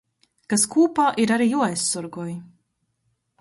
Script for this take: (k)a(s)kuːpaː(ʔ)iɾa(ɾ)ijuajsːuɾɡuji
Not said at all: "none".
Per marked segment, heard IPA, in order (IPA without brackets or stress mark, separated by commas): k, s, ʔ, ɾ